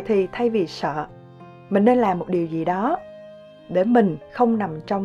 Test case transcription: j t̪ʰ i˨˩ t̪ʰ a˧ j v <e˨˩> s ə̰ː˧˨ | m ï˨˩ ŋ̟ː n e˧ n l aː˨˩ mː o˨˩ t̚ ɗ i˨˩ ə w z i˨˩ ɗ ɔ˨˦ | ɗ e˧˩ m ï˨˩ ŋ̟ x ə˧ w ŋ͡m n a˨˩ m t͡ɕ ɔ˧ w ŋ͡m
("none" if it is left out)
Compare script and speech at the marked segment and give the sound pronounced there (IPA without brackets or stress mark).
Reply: i˨˩